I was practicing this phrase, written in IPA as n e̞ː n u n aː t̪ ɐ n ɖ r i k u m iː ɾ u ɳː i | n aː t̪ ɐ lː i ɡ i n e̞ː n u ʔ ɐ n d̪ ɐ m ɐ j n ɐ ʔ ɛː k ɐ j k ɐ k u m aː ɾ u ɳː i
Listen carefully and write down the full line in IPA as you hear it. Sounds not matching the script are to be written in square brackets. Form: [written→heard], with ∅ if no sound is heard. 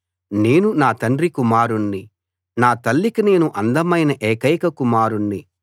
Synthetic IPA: n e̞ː n u n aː t̪ ɐ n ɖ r i k u m [iː→aː] ɾ u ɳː i | n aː t̪ ɐ lː i [ɡ→k] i n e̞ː n u ʔ ɐ n d̪ ɐ m ɐ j n ɐ ʔ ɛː k ɐ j k ɐ k u m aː ɾ u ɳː i

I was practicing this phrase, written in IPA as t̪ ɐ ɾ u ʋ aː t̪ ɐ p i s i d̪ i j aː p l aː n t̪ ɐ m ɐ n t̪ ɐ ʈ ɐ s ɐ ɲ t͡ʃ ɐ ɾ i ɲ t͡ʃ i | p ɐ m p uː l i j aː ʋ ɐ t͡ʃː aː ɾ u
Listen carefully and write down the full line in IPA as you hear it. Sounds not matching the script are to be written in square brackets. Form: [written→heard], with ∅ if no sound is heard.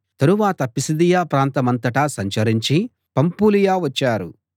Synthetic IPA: t̪ ɐ ɾ u ʋ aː t̪ ɐ p i s i d̪ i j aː p [l→ɾ] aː n t̪ ɐ m ɐ n t̪ ɐ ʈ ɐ s ɐ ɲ t͡ʃ ɐ ɾ i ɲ t͡ʃ i | p ɐ m p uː l i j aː ʋ ɐ t͡ʃː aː ɾ u

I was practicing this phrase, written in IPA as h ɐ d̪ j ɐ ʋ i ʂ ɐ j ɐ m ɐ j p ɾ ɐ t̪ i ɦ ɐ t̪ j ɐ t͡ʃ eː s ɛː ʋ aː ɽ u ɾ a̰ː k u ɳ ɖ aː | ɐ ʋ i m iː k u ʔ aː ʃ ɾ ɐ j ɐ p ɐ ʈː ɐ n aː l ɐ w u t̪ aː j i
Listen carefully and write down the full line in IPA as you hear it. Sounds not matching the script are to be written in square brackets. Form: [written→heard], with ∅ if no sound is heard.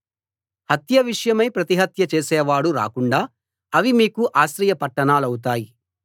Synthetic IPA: h ɐ [d̪→t̪] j ɐ ʋ i ʂ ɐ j ɐ m ɐ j p ɾ ɐ t̪ i ɦ ɐ t̪ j ɐ t͡ʃ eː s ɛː ʋ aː ɽ u ɾ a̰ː k u ɳ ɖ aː | ɐ ʋ i m iː k u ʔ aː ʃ ɾ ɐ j ɐ p ɐ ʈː ɐ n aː l ɐ w u t̪ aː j i

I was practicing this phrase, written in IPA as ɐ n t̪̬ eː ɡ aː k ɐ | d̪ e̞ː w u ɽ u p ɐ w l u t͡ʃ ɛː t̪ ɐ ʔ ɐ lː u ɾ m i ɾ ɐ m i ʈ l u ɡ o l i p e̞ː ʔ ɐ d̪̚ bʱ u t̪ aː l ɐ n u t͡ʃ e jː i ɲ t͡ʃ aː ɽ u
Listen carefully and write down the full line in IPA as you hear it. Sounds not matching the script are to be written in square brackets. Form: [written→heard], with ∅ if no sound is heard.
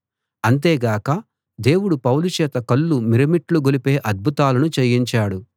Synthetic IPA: ɐ n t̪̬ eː ɡ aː k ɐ | d̪ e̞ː w u ɽ u p ɐ w l u t͡ʃ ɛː t̪ ɐ [ʔ→k] ɐ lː u [ɾ→∅] m i ɾ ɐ m i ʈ l u ɡ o l i p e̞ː ʔ ɐ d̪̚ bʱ u t̪ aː l ɐ n u t͡ʃ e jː i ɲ t͡ʃ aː ɽ u

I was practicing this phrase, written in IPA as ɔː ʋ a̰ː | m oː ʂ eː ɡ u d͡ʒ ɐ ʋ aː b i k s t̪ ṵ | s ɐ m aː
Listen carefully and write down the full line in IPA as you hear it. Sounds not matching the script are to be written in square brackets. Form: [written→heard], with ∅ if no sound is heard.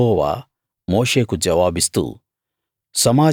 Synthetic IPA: ɔː ʋ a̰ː | m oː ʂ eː [ɡ→k] u d͡ʒ ɐ ʋ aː b i [k→∅] s t̪ ṵ | s ɐ m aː

